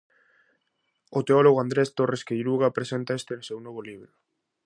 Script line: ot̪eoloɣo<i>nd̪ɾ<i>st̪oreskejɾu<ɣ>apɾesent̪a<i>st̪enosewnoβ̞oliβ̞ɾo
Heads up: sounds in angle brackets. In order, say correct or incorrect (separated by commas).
incorrect, incorrect, correct, incorrect